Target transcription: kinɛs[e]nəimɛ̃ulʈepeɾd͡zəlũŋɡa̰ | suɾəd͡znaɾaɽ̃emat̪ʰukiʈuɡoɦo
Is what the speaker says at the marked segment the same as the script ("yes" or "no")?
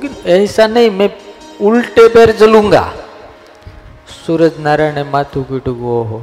no